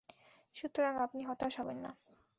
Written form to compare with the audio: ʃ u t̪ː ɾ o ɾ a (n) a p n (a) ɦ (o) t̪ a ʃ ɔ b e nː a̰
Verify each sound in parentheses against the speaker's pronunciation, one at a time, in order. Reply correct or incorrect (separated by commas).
incorrect, incorrect, incorrect